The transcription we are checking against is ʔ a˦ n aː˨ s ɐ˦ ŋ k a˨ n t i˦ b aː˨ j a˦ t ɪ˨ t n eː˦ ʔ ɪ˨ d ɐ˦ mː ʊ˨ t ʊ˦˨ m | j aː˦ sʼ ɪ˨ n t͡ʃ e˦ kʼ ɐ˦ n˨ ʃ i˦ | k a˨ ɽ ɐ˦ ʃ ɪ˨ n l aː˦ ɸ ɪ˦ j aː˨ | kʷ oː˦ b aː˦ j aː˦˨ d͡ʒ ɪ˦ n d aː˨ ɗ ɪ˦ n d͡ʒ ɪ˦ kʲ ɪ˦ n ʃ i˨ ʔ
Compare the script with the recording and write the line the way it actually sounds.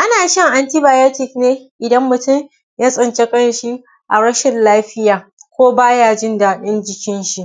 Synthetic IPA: ʔ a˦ n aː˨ ʃ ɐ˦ ŋ ʔ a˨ n t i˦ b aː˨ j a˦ t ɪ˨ k n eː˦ ʔ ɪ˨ d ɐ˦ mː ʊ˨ t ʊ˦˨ m | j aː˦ sʼ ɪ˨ n t͡ʃ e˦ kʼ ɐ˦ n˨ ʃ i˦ | ʔ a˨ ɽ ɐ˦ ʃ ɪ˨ n l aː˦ ɸ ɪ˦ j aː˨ | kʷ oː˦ b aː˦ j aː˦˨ d͡ʒ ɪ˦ n d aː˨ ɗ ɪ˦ n d͡ʒ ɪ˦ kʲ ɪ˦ n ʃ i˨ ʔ